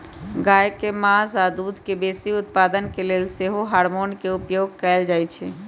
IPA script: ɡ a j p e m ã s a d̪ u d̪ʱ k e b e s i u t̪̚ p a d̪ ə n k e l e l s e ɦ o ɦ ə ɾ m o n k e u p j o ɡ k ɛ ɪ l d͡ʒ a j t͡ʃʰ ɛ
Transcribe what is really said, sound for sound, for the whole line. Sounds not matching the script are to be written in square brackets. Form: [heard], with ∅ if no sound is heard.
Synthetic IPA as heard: ɡ a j [k] e m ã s a d̪ u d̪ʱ k e b e s i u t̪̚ p a d̪ ə n k e l e l s e ɦ o ɦ [a] ɾ m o n k e u p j o ɡ k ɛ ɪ l d͡ʒ a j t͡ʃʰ ɛ